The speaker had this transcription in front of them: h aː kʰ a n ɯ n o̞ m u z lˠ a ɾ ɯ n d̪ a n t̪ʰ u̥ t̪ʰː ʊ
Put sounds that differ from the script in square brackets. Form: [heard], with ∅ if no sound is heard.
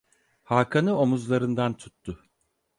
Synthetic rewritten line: h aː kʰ a n ɯ [∅] o̞ m u z lˠ a ɾ ɯ n d̪ a n t̪ʰ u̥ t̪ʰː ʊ